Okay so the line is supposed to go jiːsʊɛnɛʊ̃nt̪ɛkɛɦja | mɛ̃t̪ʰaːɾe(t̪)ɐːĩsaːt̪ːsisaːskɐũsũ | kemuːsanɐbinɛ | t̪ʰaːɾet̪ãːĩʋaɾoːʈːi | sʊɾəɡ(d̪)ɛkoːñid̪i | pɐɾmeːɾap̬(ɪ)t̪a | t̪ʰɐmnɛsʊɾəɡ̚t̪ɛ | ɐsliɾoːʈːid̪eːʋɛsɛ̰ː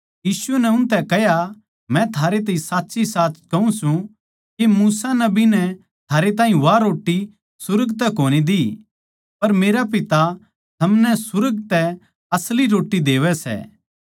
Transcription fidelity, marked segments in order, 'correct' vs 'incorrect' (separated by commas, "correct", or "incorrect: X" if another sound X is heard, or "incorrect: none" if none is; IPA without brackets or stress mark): correct, incorrect: t̪, correct